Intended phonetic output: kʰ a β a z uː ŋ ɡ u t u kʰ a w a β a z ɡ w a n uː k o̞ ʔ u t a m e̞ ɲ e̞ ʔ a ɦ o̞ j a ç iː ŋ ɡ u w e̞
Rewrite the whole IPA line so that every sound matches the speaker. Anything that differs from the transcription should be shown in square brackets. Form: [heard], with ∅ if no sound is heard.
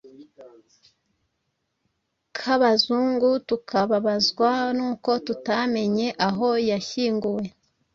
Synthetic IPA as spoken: kʰ a β a z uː ŋ ɡ u t u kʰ a [β] a β a z ɡ w a n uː k o̞ [t] u t a m e̞ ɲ e̞ ʔ a ɦ o̞ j a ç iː ŋ ɡ u w e̞